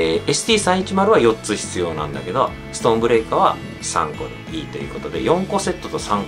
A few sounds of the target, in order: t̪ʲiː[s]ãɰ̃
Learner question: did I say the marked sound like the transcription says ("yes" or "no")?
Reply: yes